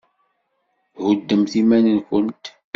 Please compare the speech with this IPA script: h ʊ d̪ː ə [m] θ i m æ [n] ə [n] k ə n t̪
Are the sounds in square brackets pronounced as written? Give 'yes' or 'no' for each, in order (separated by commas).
yes, yes, yes